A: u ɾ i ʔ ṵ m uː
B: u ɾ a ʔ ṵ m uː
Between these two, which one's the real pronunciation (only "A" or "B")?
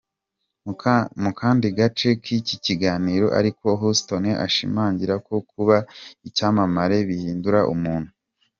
B